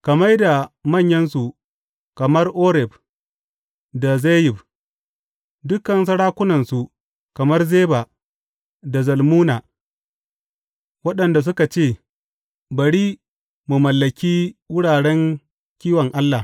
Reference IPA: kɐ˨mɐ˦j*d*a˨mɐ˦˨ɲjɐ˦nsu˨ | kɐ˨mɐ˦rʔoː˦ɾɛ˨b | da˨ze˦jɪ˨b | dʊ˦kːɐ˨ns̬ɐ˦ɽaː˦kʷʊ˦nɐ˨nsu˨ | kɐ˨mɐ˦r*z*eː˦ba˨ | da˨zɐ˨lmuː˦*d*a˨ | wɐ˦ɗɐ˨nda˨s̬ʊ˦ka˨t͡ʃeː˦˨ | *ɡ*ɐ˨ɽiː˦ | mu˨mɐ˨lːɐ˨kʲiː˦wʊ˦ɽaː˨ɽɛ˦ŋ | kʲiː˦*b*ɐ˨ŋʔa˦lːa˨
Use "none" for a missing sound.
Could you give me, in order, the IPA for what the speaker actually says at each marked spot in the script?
d, z, n, b, w

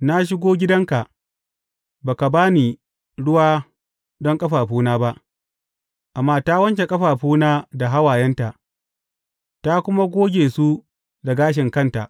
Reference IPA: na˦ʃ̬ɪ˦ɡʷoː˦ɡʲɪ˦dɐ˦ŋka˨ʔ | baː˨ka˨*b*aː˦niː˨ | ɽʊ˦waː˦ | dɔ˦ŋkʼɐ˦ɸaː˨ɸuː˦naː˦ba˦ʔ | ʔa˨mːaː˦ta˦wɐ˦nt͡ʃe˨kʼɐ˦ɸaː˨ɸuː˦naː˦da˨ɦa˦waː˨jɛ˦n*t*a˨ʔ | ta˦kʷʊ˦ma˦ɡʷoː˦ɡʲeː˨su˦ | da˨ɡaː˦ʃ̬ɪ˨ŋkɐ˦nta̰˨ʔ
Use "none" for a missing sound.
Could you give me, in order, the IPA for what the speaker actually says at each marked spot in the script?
b, t

